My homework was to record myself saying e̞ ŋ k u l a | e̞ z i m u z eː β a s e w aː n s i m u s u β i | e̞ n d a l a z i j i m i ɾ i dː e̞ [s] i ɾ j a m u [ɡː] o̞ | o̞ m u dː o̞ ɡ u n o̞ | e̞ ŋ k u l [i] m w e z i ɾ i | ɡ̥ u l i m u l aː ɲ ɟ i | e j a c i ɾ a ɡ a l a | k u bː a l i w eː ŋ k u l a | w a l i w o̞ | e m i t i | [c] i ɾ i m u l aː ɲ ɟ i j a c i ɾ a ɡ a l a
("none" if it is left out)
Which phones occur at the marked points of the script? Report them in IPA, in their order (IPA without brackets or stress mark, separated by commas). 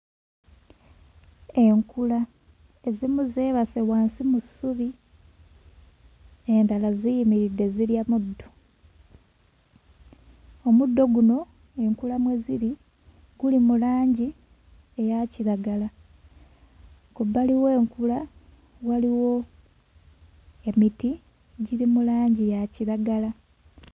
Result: z, dː, a, ɟ